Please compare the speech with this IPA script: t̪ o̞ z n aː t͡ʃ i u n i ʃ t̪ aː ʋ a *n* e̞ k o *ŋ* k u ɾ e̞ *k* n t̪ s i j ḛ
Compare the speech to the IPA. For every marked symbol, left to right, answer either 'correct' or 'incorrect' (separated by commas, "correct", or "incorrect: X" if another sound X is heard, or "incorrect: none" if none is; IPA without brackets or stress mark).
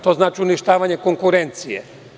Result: incorrect: ɲ, correct, incorrect: none